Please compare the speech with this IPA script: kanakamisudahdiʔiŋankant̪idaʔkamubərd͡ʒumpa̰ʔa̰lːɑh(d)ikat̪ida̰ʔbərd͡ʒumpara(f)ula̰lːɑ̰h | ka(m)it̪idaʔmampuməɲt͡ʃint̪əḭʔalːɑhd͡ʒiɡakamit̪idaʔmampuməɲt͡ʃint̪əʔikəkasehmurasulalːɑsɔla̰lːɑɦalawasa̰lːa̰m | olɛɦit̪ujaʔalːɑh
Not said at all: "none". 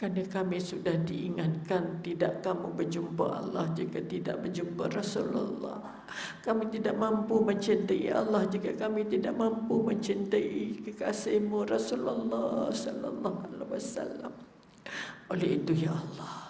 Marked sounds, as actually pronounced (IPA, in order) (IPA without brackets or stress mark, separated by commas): d͡ʒ, s, m